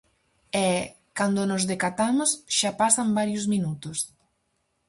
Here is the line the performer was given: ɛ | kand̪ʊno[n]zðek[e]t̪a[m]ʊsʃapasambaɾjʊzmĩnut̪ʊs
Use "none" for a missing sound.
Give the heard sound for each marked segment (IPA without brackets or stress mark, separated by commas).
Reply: none, a, m